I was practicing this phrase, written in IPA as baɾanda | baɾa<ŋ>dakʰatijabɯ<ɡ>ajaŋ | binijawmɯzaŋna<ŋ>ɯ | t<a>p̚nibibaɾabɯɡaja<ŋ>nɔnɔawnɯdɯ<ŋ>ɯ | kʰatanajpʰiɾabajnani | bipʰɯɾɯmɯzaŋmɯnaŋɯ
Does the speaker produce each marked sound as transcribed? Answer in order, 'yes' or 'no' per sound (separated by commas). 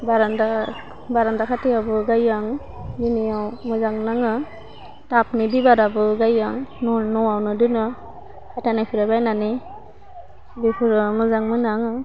no, yes, yes, yes, yes, no